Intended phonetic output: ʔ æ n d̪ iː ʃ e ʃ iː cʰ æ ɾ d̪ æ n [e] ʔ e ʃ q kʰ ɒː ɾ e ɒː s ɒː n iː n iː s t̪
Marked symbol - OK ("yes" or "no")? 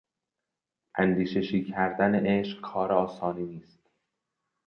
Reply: yes